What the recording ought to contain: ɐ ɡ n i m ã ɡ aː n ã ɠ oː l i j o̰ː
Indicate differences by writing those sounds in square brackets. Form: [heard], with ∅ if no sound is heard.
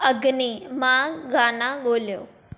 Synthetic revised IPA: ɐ ɡ n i m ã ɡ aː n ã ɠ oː l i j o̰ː